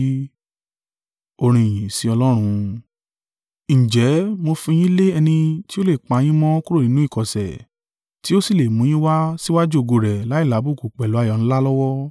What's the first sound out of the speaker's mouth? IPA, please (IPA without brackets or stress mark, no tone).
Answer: o